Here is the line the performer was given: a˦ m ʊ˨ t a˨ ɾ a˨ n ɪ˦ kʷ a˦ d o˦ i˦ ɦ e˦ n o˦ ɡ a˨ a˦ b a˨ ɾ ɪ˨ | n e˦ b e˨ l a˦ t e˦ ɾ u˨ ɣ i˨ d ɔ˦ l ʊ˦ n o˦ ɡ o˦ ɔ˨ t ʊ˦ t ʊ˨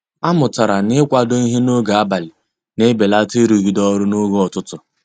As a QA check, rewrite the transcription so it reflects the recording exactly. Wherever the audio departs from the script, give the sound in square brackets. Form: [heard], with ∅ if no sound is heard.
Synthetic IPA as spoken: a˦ m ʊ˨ t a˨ ɾ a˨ n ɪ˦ kʷ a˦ d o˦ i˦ ɦ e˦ n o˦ ɡ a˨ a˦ b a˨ [l] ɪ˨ | n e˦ b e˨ l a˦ t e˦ ɾ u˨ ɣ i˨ d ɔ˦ [ɾ] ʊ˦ n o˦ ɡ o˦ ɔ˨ t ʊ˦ t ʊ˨